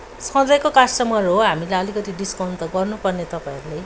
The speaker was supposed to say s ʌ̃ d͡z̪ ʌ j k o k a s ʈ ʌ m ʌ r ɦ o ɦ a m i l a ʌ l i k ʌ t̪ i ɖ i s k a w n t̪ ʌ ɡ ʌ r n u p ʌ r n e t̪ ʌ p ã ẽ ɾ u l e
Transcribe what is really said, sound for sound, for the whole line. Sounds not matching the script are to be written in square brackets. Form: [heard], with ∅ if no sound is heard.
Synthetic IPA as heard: s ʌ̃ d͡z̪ ʌ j k o k a s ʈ ʌ m ʌ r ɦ o ɦ a m i l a ʌ l i k ʌ t̪ i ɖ i s k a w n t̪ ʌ ɡ ʌ r n u p ʌ r n e t̪ ʌ p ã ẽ ɾ u l e